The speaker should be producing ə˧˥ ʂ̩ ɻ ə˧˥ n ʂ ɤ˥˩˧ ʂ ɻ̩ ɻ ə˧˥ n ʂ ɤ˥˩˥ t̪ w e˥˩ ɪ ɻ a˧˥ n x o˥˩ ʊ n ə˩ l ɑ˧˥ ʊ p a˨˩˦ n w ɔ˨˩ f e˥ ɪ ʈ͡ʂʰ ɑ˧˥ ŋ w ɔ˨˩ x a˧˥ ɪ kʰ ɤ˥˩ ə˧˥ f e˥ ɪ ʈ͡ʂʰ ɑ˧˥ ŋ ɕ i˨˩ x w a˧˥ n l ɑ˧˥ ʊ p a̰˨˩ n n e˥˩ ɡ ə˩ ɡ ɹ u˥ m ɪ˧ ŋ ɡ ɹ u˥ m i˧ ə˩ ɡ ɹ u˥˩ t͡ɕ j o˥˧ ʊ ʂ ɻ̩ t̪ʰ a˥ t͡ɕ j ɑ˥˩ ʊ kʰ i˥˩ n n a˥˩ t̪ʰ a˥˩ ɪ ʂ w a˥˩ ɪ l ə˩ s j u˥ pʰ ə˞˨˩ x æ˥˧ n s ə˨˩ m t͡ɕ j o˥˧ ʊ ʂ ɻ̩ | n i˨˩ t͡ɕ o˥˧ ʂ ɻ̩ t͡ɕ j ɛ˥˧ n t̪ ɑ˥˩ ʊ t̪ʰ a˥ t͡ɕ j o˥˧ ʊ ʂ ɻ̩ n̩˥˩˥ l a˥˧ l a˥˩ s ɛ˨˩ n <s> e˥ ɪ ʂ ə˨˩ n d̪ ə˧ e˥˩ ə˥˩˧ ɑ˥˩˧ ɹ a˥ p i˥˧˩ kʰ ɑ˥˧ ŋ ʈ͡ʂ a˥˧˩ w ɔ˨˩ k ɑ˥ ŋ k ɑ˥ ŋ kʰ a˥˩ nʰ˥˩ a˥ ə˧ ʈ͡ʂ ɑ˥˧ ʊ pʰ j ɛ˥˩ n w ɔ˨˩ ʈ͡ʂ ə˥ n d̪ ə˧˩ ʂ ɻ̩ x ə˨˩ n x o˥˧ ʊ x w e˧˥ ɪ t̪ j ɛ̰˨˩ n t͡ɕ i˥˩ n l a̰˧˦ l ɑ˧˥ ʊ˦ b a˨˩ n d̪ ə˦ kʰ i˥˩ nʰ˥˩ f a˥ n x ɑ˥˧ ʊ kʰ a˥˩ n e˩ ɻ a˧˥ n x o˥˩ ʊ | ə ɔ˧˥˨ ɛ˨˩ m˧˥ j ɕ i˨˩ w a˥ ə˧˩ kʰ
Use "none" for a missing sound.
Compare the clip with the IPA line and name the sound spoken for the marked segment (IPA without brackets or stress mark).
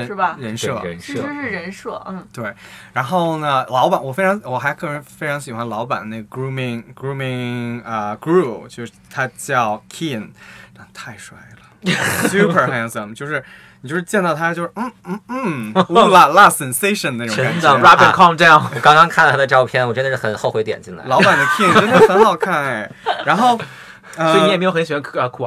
s